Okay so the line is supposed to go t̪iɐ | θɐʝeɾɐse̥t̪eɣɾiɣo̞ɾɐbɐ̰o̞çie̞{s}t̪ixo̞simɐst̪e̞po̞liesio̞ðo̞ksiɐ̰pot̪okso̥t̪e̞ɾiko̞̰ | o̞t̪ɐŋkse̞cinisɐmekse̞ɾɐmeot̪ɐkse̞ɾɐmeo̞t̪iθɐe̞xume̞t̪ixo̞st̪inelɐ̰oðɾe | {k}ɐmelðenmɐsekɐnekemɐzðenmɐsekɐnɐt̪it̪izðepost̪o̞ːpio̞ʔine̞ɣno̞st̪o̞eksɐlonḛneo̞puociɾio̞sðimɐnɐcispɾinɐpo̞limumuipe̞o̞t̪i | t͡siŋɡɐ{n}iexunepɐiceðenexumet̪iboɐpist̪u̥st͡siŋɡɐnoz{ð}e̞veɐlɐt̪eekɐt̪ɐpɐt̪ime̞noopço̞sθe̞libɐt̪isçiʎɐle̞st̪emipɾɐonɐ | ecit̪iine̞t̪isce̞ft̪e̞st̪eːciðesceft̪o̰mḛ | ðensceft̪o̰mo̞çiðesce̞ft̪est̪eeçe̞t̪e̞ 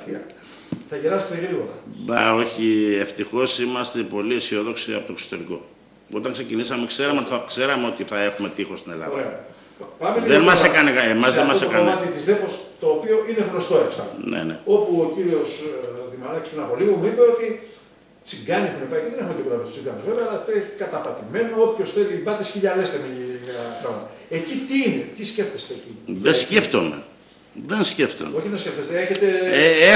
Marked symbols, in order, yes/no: no, no, yes, no

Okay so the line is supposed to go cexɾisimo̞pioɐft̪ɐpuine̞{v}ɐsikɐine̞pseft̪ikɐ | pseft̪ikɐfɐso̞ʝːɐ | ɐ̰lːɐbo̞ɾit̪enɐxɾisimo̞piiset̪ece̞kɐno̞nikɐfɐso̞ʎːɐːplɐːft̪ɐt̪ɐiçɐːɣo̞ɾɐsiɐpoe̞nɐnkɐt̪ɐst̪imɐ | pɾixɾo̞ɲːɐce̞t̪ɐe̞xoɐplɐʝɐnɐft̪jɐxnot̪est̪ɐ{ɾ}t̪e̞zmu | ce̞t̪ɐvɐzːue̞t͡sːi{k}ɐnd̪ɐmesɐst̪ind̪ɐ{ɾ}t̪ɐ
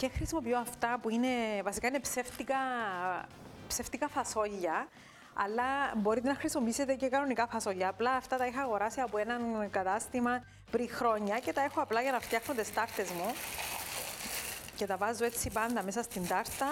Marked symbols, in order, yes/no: yes, yes, no, yes

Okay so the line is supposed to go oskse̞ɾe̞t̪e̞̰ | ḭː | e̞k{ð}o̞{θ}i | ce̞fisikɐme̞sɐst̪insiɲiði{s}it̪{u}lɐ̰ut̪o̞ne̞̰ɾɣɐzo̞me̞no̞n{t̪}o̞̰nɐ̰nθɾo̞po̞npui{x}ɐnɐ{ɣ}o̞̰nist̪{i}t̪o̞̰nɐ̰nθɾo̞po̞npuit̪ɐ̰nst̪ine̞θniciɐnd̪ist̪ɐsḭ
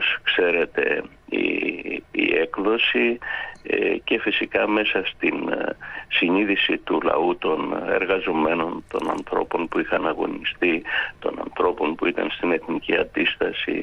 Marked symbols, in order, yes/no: yes, no, yes, yes, yes, yes, yes, yes

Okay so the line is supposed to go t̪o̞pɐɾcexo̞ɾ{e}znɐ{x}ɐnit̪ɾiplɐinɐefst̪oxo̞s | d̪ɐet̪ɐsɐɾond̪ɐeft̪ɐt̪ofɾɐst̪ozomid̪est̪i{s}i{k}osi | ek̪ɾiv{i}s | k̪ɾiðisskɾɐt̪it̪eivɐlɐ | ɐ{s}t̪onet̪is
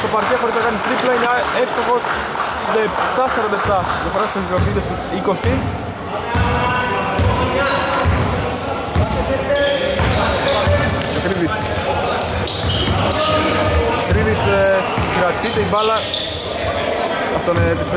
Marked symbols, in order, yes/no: no, no, yes, yes, yes, no

